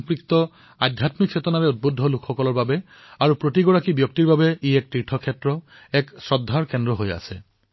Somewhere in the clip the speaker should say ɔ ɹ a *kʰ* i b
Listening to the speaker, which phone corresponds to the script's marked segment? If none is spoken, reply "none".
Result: k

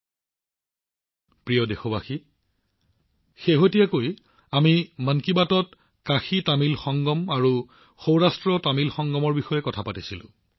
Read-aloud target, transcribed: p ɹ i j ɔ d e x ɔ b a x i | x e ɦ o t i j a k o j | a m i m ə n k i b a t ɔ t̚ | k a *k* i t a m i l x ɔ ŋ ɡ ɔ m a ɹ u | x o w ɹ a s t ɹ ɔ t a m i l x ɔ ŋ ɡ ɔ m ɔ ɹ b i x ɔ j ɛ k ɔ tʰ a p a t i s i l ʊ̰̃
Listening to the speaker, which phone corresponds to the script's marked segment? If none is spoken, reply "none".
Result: x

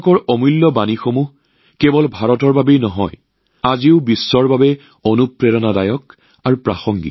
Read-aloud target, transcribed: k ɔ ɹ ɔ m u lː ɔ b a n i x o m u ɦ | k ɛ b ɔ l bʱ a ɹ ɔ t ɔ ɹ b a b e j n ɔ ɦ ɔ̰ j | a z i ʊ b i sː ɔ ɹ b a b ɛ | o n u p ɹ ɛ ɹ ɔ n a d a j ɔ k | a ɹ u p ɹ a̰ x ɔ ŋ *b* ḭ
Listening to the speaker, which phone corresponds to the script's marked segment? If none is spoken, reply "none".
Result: ɡ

